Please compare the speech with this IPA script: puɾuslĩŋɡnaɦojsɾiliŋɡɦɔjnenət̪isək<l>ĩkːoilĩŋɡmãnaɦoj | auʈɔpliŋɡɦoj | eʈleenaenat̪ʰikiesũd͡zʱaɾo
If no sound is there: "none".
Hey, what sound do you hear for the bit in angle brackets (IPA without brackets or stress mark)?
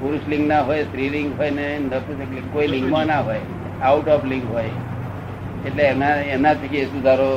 l